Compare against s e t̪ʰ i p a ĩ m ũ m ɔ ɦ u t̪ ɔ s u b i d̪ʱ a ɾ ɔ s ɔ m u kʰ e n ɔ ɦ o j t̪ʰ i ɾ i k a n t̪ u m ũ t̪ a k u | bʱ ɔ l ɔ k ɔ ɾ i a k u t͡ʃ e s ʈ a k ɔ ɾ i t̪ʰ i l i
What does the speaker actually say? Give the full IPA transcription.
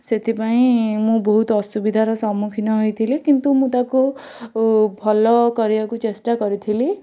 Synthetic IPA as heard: s e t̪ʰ i p a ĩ m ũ b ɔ ɦ u t̪ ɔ s u b i d̪ʱ a ɾ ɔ s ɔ m u kʰ i n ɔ ɦ o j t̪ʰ i l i k i n t̪ u m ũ t̪ a k u | bʱ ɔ l ɔ k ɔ ɾ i a k u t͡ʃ e s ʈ a k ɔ ɾ i t̪ʰ i l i